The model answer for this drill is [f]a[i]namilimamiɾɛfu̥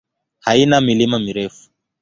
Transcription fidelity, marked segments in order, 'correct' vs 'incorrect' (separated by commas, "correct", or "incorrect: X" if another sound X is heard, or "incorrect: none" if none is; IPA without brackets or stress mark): incorrect: h, correct